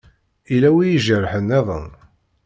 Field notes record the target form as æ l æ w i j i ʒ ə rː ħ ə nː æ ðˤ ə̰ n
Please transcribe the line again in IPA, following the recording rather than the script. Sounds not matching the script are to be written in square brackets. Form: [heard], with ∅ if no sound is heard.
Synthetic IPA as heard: [i] l æ w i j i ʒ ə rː ħ ə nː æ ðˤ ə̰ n

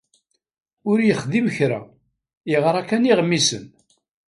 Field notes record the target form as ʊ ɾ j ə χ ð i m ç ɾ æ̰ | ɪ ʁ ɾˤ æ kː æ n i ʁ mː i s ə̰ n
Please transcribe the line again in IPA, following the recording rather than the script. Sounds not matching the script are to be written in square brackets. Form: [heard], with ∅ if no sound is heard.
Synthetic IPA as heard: ʊ ɾ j ə χ ð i m ç ɾ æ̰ | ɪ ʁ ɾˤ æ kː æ n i ʁ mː i s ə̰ n

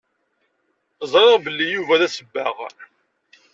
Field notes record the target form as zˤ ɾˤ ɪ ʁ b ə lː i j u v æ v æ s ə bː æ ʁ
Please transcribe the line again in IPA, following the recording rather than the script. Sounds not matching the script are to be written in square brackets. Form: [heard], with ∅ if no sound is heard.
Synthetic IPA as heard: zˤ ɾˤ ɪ ʁ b ə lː i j u v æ [ð] æ s ə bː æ ʁ

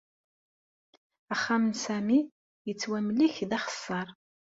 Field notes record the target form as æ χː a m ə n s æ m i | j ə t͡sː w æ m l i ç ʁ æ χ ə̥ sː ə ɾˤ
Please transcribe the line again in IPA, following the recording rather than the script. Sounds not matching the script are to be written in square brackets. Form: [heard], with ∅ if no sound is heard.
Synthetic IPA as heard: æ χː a m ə n s æ m i | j ə t͡sː w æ m l i ç [ð] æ χ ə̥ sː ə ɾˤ

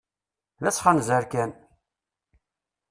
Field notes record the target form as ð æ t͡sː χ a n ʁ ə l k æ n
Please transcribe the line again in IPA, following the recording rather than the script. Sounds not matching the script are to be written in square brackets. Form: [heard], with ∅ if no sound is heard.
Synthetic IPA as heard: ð æ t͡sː χ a n [z] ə [ɾ] k æ n

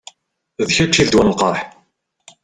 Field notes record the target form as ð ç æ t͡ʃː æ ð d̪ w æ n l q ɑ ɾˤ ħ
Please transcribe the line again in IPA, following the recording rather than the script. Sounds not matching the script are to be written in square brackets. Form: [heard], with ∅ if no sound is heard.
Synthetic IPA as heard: ð ç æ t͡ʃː [i] ð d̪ w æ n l q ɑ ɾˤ ħ

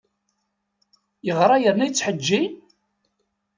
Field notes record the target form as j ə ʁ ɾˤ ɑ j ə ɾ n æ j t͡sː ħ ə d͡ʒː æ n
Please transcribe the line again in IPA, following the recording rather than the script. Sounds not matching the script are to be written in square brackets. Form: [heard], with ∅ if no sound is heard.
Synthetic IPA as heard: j ə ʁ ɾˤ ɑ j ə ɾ n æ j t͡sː ħ ə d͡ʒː [i] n

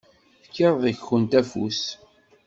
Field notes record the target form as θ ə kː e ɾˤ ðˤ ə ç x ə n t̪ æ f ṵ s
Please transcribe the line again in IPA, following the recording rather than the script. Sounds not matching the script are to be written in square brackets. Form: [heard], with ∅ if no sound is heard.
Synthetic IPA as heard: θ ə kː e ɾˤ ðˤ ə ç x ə n t̪ æ f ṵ s

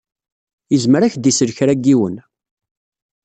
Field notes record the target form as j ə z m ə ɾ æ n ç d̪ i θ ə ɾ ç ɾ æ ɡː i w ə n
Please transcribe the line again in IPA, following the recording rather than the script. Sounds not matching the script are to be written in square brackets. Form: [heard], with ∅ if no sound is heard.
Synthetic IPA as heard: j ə z m ə ɾ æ [∅] ç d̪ i [s] ə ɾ ç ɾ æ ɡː i w ə n

